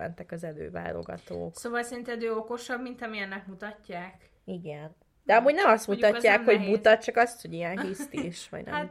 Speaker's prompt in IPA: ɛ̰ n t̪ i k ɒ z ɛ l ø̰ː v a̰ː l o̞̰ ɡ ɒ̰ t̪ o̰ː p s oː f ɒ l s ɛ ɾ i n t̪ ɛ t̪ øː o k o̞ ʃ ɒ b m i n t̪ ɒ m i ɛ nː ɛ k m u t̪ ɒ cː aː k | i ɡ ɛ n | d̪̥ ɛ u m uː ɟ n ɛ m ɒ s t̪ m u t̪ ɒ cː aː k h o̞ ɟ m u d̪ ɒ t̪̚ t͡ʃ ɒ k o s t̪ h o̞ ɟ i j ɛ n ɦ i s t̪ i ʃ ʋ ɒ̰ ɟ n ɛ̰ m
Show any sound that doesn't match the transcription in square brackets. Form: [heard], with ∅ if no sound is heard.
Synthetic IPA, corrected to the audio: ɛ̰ n t̪ [ɛ] k ɒ z ɛ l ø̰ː v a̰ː l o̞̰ ɡ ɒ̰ t̪ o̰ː [k] s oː [v] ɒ l s ɛ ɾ i n t̪ ɛ [d̪] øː o k o̞ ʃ ɒ b m i n t̪ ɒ m i ɛ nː ɛ k m u t̪ ɒ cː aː k | i ɡ ɛ n | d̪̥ ɛ [ɒ] m uː ɟ n ɛ m ɒ s t̪ m u t̪ ɒ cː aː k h o̞ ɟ m u [t̪] ɒ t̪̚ t͡ʃ ɒ k [ɒ] s t̪ h o̞ ɟ i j ɛ n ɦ i s t̪ i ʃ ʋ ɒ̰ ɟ n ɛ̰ m